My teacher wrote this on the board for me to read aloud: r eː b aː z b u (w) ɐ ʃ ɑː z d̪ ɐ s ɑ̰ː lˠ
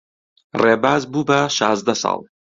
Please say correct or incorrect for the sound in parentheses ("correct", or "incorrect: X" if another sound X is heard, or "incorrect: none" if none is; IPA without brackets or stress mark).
incorrect: b